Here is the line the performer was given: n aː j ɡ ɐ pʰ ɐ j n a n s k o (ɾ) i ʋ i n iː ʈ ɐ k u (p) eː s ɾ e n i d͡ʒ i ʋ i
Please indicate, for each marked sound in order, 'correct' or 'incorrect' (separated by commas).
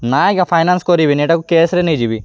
correct, incorrect